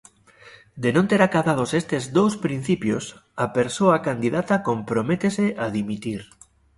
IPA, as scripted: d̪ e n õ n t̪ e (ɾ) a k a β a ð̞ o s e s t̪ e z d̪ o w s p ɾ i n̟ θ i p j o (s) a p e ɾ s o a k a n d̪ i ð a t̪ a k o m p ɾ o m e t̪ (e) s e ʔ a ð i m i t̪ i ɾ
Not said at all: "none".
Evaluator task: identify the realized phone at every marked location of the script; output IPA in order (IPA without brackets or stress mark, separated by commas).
ɾ, s, e